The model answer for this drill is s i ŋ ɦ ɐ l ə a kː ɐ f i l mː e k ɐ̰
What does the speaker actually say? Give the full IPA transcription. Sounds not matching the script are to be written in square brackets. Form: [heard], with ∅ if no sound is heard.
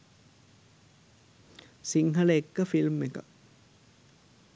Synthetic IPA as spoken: s i ŋ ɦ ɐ l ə [e] kː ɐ f i l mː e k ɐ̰